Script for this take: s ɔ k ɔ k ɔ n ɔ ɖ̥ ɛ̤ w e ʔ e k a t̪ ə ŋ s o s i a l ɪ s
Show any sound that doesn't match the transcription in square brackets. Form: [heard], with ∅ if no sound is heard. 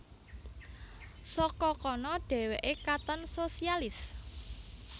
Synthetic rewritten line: s ɔ k ɔ k ɔ n ɔ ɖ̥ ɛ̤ w e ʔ e k a t̪ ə [n] s o s i a l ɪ s